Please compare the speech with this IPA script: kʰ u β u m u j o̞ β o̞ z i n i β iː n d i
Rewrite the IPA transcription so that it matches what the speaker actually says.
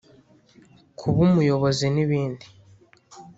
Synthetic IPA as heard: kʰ u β u m u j o̞ β o̞ z i n i β iː n d i